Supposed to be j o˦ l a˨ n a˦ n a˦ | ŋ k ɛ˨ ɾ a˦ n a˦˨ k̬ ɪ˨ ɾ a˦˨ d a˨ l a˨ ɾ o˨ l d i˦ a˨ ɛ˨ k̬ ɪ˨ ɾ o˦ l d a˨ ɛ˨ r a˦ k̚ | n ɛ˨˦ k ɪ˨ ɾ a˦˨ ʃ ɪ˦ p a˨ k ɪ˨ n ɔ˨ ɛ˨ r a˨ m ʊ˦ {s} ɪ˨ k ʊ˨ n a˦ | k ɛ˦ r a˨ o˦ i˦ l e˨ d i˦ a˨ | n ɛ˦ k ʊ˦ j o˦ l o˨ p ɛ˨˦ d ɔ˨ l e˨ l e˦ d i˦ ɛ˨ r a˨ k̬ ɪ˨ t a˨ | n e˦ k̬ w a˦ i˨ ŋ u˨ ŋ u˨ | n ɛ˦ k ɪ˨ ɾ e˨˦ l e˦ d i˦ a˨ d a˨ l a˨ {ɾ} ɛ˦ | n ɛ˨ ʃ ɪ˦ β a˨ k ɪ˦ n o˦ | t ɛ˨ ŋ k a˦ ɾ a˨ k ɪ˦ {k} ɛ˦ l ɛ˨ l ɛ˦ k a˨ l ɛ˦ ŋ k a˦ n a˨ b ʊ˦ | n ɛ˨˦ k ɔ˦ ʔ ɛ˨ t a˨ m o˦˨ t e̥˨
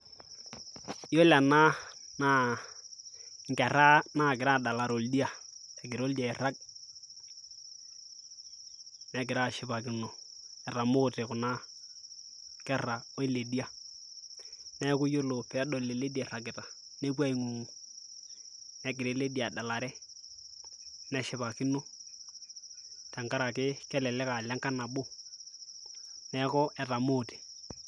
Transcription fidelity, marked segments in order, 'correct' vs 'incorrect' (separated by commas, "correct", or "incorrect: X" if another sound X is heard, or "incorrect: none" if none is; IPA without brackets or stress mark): incorrect: t, correct, correct